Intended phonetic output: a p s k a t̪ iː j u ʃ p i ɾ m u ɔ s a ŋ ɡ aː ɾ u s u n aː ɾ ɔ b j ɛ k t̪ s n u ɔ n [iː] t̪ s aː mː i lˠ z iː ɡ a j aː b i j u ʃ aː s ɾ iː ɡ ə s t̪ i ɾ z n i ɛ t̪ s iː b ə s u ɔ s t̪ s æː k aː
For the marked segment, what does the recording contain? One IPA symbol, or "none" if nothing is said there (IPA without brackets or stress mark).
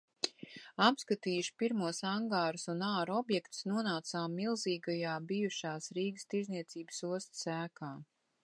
aː